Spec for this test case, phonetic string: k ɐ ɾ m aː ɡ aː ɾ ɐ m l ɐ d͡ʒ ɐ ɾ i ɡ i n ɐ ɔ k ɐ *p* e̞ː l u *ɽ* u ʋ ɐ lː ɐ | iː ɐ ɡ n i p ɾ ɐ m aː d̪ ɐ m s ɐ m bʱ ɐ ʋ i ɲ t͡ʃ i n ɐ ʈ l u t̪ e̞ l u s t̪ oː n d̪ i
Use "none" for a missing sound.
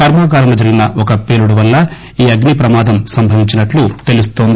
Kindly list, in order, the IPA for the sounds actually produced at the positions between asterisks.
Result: p, ɽ

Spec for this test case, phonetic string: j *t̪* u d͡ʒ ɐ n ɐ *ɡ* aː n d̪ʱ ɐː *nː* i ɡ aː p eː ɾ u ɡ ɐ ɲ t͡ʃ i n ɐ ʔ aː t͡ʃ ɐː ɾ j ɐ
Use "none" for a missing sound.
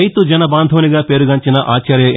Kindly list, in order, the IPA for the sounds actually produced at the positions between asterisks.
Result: t̪, b, n

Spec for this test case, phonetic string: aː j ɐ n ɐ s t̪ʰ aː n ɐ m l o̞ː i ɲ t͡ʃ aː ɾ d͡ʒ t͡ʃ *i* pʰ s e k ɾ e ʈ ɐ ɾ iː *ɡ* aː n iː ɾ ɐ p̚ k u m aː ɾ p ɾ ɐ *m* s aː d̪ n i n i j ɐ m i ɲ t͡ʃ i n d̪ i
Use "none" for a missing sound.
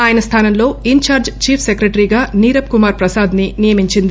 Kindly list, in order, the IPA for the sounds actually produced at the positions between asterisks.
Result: iː, ɡ, none

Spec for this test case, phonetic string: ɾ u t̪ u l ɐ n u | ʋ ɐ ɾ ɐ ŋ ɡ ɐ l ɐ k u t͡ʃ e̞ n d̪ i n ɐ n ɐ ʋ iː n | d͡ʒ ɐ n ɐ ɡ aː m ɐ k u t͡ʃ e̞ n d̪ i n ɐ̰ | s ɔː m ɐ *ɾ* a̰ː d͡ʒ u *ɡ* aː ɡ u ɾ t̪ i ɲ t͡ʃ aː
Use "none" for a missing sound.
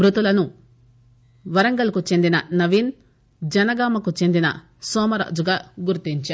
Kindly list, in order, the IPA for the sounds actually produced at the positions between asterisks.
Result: ɾ, ɡ

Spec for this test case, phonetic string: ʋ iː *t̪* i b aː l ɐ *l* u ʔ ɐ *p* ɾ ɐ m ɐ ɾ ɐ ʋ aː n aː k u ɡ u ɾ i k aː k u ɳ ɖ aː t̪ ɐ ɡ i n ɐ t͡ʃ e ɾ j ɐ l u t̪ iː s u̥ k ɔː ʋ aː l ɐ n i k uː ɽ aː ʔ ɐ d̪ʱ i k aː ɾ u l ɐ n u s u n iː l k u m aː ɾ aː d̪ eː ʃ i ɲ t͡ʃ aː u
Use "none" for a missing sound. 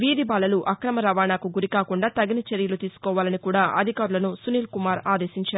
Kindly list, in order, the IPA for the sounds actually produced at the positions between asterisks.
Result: d̪, l, k

